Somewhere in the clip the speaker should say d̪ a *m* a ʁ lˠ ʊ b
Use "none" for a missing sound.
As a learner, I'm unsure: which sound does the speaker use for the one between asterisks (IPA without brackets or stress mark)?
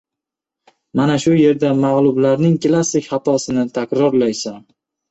m